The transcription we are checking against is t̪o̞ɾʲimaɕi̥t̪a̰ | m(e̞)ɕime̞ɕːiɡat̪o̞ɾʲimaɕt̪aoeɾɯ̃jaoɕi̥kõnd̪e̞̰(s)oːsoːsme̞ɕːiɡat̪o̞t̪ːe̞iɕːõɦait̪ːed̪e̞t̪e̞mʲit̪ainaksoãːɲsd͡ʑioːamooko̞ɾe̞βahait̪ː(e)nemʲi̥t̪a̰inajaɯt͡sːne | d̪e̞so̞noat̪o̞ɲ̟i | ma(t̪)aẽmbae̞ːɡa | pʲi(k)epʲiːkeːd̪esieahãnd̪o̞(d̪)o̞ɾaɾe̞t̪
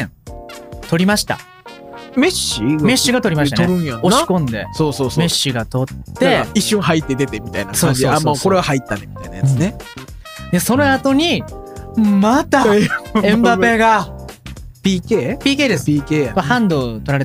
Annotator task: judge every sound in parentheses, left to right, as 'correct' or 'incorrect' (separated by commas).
correct, correct, incorrect, correct, correct, incorrect